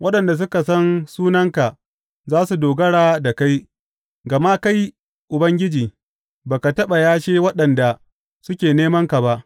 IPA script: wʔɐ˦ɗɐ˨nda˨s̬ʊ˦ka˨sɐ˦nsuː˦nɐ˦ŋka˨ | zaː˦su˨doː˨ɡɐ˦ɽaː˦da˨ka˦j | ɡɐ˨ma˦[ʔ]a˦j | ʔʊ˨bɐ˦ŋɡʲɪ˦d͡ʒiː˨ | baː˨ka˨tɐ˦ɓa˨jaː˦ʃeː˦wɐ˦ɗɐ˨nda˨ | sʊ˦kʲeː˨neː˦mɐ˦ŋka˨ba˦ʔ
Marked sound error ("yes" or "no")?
yes